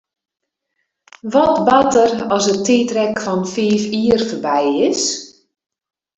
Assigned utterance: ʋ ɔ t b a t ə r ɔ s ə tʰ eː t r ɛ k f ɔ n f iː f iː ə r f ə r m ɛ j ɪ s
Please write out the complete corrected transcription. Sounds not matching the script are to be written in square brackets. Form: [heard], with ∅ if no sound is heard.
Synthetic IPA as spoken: ʋ ɔ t b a t ə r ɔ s ə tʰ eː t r ɛ k f ɔ n f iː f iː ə r f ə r [b] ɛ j ɪ s

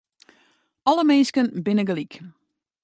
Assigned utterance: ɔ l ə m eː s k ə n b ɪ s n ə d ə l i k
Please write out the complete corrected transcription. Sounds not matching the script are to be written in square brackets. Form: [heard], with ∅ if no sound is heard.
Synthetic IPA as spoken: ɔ l ə m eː s k ə n b ɪ [∅] n ə [ɡ] ə l i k

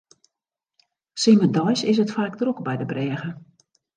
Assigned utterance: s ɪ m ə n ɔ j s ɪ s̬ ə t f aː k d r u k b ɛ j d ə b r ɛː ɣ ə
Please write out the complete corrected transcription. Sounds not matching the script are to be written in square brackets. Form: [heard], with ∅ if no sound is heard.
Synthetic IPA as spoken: s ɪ m ə [d] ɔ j s ɪ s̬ ə t f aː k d r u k b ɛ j d ə b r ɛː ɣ ə

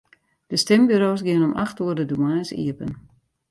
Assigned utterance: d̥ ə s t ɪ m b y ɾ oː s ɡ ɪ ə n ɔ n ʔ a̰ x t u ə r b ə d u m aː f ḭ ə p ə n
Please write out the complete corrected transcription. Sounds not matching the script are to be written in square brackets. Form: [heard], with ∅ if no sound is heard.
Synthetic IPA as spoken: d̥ ə s t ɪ m b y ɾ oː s ɡ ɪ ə n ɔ [m] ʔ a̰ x t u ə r [d] ə d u m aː [s] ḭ ə p ə n

